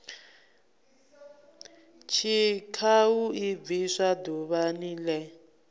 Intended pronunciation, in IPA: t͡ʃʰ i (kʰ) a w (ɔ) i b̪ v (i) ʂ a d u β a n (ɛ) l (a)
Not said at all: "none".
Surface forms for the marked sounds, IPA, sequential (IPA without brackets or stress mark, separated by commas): kʰ, u, i, i, ɛ